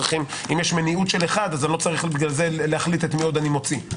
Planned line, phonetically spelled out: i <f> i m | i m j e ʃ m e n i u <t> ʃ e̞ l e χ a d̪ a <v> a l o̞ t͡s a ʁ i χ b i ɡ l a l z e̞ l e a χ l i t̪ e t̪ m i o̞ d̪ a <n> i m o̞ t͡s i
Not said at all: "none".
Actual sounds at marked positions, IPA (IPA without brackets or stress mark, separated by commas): χ, t, z, n